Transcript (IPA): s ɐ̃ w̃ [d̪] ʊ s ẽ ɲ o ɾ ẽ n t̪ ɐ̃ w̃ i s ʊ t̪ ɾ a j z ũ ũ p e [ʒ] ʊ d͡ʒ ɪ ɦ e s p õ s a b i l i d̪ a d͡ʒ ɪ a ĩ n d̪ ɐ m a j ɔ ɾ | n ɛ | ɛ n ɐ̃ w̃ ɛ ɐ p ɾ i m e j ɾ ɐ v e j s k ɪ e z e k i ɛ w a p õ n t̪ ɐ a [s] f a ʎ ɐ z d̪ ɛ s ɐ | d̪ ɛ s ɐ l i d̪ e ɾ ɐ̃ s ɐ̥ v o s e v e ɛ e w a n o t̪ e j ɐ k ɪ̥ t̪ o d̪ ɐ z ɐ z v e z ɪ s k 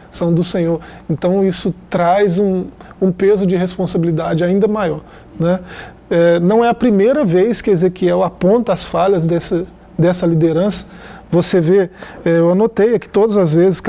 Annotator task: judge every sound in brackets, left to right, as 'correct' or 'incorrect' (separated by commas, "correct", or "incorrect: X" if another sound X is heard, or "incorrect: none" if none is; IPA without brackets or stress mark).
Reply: correct, incorrect: z, correct